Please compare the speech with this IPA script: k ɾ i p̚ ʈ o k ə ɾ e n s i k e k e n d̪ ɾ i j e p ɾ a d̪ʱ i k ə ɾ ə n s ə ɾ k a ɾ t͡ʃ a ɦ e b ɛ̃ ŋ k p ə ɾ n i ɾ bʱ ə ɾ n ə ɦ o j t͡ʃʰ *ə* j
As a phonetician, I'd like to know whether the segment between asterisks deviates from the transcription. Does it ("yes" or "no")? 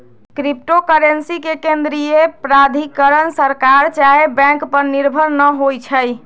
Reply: no